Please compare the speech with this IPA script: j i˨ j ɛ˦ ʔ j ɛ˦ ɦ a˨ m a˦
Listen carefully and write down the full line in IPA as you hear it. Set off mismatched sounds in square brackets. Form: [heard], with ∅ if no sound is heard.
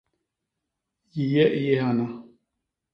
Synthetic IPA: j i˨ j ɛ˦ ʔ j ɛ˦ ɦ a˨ [n] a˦